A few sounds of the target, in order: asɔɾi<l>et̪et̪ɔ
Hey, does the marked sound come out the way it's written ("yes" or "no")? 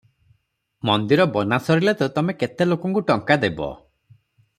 yes